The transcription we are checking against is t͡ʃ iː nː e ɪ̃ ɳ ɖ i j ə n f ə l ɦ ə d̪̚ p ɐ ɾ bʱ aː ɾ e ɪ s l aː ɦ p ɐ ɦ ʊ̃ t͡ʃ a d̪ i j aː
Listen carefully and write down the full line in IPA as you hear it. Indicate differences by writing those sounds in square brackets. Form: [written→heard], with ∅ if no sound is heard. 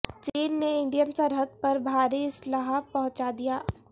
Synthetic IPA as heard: t͡ʃ iː nː e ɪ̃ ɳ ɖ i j ə n [f→s] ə [l→ɾ] ɦ ə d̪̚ p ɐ ɾ bʱ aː ɾ [e→i] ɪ s l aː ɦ p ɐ ɦ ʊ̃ t͡ʃ a d̪ i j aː